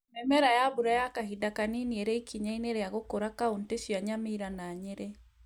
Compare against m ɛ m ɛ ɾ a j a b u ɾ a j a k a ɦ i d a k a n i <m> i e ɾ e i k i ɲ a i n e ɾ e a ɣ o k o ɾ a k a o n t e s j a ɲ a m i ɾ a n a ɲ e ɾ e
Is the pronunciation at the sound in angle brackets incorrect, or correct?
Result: incorrect